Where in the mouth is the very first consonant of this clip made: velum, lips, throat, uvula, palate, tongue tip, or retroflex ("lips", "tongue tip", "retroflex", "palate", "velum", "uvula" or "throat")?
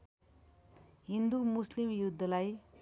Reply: throat